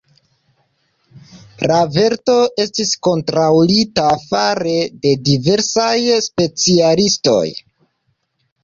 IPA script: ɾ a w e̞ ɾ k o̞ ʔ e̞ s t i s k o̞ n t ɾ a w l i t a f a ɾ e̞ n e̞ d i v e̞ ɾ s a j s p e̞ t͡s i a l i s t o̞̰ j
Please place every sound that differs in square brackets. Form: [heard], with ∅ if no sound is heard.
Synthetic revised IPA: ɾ a [v] e̞ ɾ [t] o̞ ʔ e̞ s t i s k o̞ n t ɾ a w l i t a f a ɾ e̞ [d] e̞ d i v e̞ ɾ s a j s p e̞ t͡s i a l i s t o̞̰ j